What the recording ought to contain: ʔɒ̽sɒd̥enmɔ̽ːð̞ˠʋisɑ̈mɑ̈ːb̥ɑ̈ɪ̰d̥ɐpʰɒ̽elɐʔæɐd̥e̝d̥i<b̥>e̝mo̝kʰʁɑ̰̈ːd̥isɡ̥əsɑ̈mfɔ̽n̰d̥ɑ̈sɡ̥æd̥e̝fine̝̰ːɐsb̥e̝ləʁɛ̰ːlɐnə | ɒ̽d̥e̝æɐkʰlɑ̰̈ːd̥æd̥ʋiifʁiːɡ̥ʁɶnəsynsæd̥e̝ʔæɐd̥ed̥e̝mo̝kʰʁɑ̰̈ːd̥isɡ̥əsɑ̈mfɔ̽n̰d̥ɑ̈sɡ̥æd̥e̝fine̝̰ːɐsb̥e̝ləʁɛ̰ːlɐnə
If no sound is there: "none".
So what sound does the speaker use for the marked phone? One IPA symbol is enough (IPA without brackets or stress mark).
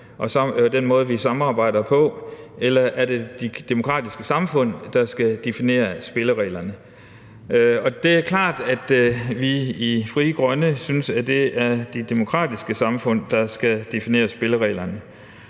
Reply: d̥